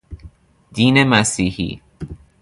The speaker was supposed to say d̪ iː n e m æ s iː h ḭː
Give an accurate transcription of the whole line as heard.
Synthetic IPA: d̪ iː n e m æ s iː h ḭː